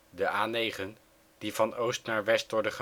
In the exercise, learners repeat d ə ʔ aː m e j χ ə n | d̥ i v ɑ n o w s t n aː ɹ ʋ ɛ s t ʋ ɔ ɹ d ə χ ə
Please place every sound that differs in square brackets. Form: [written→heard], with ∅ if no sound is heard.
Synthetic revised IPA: d ə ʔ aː [m→n] e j χ ə n | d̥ i v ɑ n o w s t n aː ɹ ʋ ɛ s t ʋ ɔ ɹ d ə χ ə